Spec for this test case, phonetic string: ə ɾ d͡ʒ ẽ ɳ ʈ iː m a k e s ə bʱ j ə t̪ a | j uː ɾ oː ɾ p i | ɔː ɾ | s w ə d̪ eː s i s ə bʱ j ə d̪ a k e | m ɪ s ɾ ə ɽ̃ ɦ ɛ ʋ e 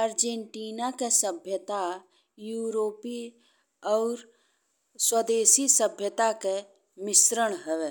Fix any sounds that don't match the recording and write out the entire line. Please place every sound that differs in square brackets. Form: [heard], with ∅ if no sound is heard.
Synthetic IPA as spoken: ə ɾ d͡ʒ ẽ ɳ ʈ iː [n] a k e s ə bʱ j ə t̪ a | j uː ɾ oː [∅] p i | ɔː ɾ | s w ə d̪ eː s i s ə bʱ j ə [t̪] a k e | m ɪ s ɾ ə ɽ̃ ɦ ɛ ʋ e